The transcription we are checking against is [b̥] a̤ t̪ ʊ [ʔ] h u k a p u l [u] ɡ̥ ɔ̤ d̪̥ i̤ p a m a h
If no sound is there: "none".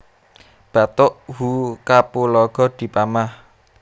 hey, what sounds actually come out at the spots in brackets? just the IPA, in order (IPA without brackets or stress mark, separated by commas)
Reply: b̥, ʔ, ɔ